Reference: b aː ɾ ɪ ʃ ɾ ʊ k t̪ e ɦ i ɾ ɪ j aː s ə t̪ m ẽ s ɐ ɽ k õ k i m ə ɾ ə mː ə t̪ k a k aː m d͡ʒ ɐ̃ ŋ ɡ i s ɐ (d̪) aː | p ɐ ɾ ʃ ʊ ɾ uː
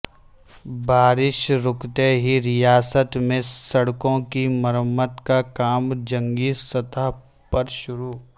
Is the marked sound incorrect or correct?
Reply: incorrect